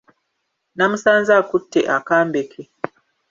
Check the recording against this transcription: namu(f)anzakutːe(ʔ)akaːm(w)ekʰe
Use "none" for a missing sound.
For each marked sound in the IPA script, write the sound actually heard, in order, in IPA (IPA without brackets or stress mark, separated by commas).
s, ʔ, b